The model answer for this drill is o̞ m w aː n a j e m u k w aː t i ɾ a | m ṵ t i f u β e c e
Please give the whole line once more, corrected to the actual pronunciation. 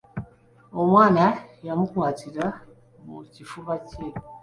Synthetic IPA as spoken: o̞ m w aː n a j a m u k w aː t i ɾ a | m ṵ c i f u β a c e